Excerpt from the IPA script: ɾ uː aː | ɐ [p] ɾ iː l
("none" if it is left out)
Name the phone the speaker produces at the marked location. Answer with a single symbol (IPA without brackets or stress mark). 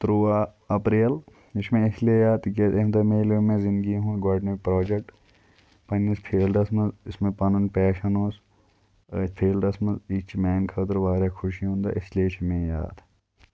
p